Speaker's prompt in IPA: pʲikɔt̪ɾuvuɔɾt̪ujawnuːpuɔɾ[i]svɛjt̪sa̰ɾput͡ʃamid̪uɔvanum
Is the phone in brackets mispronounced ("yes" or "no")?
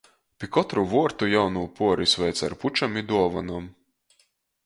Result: no